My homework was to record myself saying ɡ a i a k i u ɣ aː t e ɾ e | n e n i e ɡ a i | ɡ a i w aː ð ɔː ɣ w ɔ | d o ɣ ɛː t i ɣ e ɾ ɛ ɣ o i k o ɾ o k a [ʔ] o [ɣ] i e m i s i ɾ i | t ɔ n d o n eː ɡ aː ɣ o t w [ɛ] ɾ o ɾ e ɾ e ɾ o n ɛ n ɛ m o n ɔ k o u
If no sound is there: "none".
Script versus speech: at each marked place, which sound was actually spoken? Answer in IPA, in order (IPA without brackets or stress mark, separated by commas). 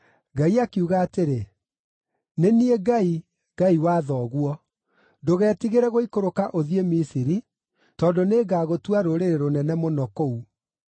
ʔ, ð, a